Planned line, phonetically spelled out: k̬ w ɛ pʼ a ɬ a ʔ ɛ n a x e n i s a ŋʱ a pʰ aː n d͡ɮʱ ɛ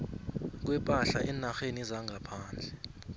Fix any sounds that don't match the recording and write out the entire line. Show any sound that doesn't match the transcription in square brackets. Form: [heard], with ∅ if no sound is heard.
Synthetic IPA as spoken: k̬ w ɛ pʼ a ɬ a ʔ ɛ n a x e n i [z] a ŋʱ a pʰ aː n d͡ɮʱ ɛ